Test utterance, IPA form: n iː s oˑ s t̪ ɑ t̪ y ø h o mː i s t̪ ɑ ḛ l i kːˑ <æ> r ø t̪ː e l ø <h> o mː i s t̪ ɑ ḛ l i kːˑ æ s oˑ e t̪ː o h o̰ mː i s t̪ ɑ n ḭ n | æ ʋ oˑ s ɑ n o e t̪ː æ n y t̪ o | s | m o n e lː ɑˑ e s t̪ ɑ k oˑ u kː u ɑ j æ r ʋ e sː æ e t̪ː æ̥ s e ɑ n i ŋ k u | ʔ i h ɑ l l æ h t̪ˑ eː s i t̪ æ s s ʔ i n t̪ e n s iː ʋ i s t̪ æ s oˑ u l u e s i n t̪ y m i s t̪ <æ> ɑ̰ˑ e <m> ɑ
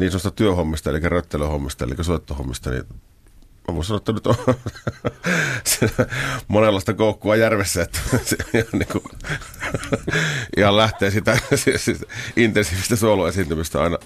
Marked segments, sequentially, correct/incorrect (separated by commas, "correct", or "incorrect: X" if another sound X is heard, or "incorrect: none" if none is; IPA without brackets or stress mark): correct, correct, correct, incorrect: n